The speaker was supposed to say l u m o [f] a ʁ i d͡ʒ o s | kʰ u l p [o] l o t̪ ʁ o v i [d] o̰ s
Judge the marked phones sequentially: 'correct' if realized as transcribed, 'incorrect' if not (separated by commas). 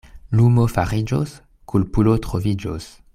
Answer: correct, incorrect, incorrect